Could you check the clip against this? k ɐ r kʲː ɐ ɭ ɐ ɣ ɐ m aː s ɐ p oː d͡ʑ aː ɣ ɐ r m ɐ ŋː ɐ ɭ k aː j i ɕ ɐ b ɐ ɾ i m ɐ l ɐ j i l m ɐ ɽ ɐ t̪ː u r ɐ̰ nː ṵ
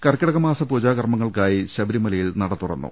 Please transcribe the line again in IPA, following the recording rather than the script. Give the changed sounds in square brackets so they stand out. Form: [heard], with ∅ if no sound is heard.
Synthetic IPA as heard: k ɐ r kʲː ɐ [ɽ] ɐ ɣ ɐ m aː s ɐ p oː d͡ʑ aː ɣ ɐ r m ɐ ŋː ɐ ɭ k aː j i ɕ ɐ b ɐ ɾ i m ɐ l ɐ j i l [n] ɐ ɽ ɐ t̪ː u r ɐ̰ nː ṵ